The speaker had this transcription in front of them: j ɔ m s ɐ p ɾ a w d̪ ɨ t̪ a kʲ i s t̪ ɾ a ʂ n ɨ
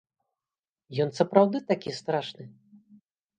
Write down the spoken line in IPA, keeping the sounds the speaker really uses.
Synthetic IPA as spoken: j ɔ n s ɐ p ɾ a w d̪ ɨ t̪ a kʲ i s t̪ ɾ a ʂ n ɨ

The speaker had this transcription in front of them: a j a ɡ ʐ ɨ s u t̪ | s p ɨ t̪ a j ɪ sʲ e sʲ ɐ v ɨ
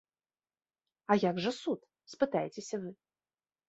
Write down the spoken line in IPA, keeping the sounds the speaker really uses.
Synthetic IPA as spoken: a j a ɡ ʐ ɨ s u t̪ | s p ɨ t̪ a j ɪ t͡sʲ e sʲ ɐ v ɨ

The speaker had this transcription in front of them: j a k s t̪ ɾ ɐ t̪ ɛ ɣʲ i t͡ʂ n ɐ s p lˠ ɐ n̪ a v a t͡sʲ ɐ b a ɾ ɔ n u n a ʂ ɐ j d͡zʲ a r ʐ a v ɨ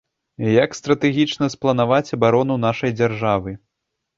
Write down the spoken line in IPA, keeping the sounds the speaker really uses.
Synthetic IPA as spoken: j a k s t̪ ɾ ɐ t̪ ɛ ɣʲ i t͡ʂ n ɐ s p lˠ ɐ n̪ a v a t͡sʲ ɐ b a ɾ ɔ n u n a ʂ ɐ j d͡zʲ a r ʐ a v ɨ

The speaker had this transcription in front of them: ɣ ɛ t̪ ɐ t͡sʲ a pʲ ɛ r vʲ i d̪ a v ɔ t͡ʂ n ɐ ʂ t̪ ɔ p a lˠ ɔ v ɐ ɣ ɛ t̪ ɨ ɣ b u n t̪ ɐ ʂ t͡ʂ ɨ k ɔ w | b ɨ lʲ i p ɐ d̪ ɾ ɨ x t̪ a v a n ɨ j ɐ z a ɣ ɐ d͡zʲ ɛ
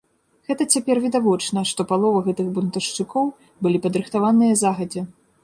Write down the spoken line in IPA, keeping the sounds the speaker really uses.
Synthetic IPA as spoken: ɣ ɛ t̪ ɐ t͡sʲ a pʲ ɛ r vʲ i d̪ a v ɔ t͡ʂ n ɐ ʂ t̪ ɔ p a lˠ ɔ v ɐ ɣ ɛ t̪ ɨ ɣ b u n t̪ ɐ ʂ t͡ʂ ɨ k ɔ w | b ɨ lʲ i p ɐ d̪ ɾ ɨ x t̪ a v a n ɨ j ɐ z a ɣ ɐ d͡zʲ ɛ

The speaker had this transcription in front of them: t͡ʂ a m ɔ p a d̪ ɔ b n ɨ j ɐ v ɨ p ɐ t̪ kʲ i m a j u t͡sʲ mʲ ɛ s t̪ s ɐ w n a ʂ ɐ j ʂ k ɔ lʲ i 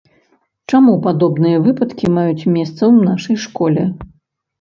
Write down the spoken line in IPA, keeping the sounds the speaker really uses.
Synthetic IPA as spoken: t͡ʂ a m u p a d̪ ɔ b n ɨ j ɐ v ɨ p ɐ t̪ kʲ i m a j u t͡sʲ mʲ ɛ s t̪ s ɐ w n a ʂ ɐ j ʂ k ɔ lʲ ɛ

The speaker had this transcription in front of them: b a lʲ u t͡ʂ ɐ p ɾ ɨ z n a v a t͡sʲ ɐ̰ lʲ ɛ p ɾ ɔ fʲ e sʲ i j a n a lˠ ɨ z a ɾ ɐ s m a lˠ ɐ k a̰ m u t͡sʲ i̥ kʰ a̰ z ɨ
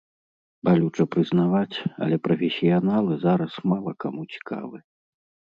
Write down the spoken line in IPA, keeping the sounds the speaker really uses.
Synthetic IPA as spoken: b a lʲ u t͡ʂ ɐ p ɾ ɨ z n a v a t͡sʲ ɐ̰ lʲ ɛ p ɾ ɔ fʲ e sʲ i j a n a lˠ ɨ z a ɾ ɐ s m a lˠ ɐ k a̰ m u t͡sʲ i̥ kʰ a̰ v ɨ

